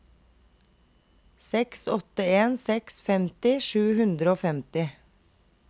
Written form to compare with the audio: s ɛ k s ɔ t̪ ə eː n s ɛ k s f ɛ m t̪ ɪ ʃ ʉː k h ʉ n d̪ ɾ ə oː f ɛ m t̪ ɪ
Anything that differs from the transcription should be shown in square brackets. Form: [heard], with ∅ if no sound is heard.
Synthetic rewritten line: s ɛ k s ɔ t̪ ə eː n s ɛ k s f ɛ m t̪ ɪ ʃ ʉː [∅] h ʉ n d̪ ɾ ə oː f ɛ m t̪ ɪ

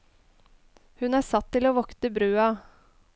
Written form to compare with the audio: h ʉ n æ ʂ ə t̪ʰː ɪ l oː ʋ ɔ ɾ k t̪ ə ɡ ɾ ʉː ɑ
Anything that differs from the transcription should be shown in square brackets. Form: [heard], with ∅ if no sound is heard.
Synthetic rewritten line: h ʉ n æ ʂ [ɑ] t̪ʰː ɪ l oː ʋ ɔ [∅] k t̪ ə [b] ɾ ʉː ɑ

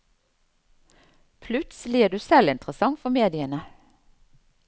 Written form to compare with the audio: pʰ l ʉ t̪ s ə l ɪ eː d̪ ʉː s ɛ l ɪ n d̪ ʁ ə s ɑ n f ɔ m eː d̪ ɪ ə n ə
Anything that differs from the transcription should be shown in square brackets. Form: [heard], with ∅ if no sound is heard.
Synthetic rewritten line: pʰ l ʉ t̪ s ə l ɪ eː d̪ ʉː s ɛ l ɪ n [t̪] ʁ ə s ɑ [ŋ] f ɔ m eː d̪ ɪ ə n ə

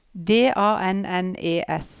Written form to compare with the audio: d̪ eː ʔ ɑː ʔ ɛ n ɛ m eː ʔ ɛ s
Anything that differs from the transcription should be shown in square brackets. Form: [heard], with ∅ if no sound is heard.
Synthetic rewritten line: d̪ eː ʔ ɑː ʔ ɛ n ɛ [n] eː ʔ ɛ s

